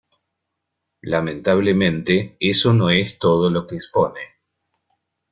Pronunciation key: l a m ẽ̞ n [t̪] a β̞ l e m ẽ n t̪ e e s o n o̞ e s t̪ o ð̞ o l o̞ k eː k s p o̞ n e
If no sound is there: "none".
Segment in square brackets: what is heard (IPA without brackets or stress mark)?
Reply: t̪